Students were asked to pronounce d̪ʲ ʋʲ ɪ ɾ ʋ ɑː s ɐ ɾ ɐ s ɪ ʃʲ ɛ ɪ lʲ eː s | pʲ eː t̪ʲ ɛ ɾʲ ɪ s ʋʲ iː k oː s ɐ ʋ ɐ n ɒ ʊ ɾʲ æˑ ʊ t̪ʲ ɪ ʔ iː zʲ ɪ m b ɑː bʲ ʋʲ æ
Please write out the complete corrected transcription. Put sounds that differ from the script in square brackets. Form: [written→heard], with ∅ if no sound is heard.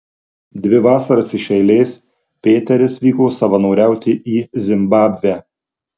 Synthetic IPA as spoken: d̪ʲ ʋʲ ɪ [ɾ→∅] ʋ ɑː s ɐ ɾ ɐ s ɪ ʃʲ ɛ ɪ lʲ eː s | pʲ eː t̪ʲ ɛ ɾʲ ɪ s ʋʲ iː k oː s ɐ ʋ ɐ n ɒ ʊ ɾʲ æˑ ʊ t̪ʲ ɪ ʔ iː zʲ ɪ m b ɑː bʲ ʋʲ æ